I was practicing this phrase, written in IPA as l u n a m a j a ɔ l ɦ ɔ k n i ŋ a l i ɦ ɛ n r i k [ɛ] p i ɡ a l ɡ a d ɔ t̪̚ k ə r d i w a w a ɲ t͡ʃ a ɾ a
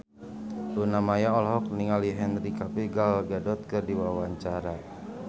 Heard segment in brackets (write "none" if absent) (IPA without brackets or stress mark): a